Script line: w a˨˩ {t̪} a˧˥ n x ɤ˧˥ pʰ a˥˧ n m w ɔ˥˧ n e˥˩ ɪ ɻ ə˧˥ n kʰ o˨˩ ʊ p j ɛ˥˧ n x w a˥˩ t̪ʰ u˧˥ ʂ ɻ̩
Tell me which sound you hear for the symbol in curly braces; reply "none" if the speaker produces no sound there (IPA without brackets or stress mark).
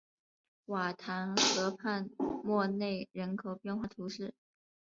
t̪ʰ